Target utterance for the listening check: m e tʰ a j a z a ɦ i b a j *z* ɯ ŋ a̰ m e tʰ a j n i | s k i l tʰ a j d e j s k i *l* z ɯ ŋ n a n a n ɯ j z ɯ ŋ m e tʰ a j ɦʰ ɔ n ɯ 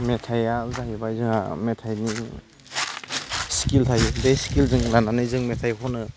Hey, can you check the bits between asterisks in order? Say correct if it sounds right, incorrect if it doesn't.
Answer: correct, correct

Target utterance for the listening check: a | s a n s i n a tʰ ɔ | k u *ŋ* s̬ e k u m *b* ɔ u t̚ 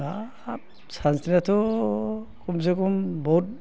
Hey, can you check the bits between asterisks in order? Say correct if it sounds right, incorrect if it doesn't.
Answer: incorrect, correct

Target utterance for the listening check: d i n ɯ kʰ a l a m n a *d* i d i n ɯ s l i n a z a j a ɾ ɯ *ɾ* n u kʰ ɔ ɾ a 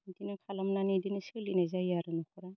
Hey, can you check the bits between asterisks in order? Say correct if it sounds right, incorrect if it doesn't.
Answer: incorrect, incorrect

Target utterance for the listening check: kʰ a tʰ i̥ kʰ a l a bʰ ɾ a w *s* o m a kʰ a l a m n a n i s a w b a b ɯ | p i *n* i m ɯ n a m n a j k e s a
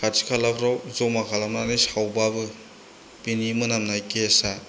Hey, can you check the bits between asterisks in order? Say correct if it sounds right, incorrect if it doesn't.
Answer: incorrect, correct

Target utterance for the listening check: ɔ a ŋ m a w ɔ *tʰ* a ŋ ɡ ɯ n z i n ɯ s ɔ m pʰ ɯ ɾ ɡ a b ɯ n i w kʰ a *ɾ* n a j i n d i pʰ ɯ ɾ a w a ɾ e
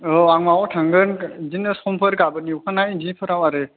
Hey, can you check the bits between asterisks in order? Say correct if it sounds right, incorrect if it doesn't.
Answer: correct, incorrect

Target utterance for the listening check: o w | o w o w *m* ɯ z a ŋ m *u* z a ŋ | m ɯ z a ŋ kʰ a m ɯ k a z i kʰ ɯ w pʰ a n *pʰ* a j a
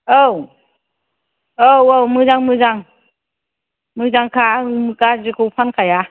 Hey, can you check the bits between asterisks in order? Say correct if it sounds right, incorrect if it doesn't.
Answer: correct, incorrect, incorrect

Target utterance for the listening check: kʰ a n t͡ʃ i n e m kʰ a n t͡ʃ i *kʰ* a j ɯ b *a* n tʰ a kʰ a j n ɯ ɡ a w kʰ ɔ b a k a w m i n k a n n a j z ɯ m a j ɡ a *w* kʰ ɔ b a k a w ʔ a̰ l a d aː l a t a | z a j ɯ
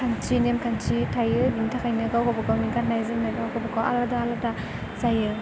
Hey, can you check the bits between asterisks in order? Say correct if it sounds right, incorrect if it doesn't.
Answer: incorrect, incorrect, correct

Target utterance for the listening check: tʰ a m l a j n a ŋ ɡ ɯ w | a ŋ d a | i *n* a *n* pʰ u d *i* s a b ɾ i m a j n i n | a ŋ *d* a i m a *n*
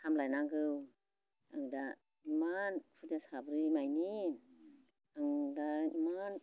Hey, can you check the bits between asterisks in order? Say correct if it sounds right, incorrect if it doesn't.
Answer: incorrect, correct, incorrect, correct, correct

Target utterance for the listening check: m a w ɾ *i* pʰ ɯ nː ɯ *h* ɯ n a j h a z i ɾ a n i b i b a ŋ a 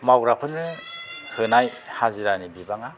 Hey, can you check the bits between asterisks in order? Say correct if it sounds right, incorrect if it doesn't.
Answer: incorrect, correct

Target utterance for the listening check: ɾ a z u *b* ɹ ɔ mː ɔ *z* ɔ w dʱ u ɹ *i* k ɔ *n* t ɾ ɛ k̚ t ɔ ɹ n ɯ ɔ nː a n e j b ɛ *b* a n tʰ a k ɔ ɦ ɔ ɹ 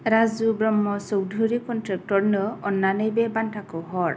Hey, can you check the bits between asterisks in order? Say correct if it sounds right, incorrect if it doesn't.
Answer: correct, incorrect, correct, correct, correct

